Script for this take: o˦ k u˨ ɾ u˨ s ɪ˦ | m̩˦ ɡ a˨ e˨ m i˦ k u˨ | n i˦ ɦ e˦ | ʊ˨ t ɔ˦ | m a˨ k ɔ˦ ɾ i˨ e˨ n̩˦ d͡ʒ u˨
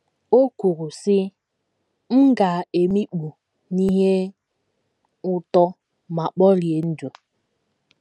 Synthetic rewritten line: o˦ k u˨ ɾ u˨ s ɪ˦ | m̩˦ ɡ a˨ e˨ m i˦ k͡p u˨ | n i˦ ɦ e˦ | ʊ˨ t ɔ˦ | m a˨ k͡p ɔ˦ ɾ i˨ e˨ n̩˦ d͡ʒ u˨